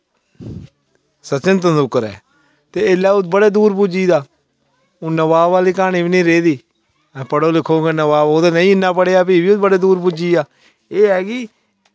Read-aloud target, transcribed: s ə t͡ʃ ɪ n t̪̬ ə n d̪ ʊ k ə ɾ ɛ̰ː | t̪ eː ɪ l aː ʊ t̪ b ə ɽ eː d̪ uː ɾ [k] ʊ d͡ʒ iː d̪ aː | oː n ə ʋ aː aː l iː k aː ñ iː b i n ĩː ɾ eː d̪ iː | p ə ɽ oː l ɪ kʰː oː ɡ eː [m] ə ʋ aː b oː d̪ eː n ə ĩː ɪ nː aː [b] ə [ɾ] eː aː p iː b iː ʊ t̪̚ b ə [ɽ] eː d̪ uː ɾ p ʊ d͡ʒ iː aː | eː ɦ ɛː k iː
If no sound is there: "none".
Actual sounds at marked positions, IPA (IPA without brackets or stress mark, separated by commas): p, n, p, ɽ, ɽ